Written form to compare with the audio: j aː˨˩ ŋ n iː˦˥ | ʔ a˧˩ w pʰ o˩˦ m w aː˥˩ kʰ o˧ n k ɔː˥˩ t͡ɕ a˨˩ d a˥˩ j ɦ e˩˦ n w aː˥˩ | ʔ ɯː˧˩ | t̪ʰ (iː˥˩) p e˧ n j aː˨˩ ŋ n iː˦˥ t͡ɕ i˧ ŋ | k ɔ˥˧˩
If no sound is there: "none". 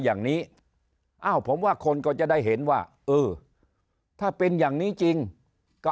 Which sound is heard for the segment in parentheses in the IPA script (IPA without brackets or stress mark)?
aː˥˩